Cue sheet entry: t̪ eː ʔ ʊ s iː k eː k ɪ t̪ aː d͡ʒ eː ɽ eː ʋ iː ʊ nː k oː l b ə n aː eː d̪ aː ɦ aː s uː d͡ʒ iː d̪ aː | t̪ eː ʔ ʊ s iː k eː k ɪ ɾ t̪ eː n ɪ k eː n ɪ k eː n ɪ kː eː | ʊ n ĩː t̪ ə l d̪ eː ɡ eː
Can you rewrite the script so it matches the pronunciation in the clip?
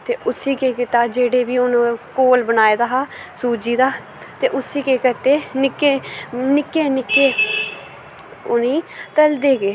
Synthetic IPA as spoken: t̪ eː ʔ ʊ s iː k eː k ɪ t̪ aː d͡ʒ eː ɽ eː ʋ iː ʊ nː k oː l b ə n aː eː d̪ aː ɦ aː s uː d͡ʒ iː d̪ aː | t̪ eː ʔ ʊ s iː k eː k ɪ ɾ t̪ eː n ɪ k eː n ɪ k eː n ɪ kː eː | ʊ n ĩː t̪ ə l d̪ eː ɡ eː